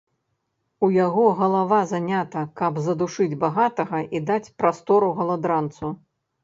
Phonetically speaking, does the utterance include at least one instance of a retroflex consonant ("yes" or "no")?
yes